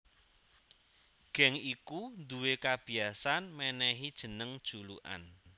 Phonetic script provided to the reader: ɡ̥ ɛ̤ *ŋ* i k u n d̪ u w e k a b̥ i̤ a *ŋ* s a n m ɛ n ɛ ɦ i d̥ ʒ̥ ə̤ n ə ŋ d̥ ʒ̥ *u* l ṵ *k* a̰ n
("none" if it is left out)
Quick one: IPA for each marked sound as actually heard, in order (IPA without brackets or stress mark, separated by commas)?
ŋ, none, u, ʔ